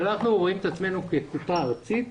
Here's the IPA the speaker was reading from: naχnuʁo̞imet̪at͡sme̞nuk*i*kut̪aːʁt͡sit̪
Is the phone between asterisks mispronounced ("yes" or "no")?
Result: yes